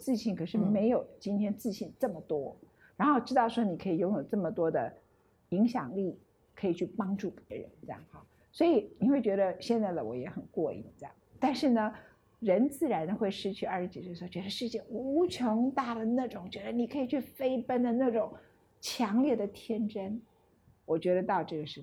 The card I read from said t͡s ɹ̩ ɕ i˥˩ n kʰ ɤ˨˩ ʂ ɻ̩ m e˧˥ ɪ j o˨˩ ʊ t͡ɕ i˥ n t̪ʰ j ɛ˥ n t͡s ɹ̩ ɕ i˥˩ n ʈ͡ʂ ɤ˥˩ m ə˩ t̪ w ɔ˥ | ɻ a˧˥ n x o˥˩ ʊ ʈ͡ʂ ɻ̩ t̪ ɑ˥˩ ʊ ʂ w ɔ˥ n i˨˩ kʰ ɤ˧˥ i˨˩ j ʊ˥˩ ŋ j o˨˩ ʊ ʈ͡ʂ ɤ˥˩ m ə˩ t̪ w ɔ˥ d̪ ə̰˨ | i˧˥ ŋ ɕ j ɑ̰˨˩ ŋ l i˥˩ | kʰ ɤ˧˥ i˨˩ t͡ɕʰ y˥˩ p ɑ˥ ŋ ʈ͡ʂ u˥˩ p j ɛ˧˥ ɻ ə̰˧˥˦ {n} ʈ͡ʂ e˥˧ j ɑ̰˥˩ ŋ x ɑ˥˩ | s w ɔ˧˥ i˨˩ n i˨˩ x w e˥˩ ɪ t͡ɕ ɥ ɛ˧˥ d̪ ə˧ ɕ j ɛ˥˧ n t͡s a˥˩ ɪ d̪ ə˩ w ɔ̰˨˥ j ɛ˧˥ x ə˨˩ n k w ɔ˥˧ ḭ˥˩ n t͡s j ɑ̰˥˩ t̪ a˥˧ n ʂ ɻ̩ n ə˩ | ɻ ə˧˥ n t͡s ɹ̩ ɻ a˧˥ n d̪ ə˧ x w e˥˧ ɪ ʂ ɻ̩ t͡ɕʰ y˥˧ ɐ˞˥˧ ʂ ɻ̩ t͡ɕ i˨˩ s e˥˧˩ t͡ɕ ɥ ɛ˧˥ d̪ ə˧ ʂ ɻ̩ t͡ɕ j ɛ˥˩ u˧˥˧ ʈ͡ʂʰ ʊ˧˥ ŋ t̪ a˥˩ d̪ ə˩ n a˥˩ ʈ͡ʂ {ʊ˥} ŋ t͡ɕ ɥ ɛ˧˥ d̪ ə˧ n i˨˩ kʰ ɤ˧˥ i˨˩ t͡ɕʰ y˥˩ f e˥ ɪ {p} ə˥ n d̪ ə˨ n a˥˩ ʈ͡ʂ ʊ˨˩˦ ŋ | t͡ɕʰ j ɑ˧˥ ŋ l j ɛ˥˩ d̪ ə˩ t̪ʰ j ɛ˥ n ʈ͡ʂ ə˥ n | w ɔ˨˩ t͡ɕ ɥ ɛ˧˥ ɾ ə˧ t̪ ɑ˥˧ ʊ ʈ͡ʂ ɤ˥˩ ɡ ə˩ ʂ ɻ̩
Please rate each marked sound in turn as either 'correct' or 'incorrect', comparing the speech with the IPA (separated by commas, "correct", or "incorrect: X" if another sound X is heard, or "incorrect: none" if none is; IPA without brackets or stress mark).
correct, incorrect: ʊ˨˩, correct